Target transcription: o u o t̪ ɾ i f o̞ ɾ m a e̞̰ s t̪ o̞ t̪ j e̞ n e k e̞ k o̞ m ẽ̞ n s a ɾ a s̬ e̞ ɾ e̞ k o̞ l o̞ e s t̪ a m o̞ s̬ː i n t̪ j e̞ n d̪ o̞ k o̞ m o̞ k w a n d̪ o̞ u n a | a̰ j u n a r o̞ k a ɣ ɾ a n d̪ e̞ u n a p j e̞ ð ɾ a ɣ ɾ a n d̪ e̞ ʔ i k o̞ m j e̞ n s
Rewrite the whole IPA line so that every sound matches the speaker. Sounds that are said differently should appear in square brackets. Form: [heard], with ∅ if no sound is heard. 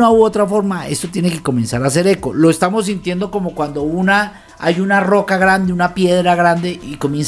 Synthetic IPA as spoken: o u o t̪ ɾ [a] f o̞ ɾ m a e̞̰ s t̪ o̞ t̪ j e̞ n e k e̞ k o̞ m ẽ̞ n s a ɾ a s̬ e̞ ɾ e̞ k o̞ l o̞ e s t̪ a m o̞ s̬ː i n t̪ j e̞ n d̪ o̞ k o̞ m o̞ k w a n d̪ o̞ u n a | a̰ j u n a r o̞ k a ɣ ɾ a n d̪ e̞ u n a p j e̞ ð ɾ a ɣ ɾ a n d̪ e̞ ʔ i k o̞ m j e̞ n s